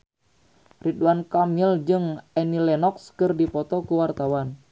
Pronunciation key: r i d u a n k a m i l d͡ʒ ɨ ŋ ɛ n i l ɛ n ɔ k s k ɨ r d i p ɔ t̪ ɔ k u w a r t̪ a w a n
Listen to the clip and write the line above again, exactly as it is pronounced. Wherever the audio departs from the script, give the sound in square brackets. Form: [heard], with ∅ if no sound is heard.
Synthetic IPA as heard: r i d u a n k a m i l d͡ʒ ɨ ŋ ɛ n i l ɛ n ɔ k s k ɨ r d i p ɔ t̪ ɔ k u w a r t̪ a w a n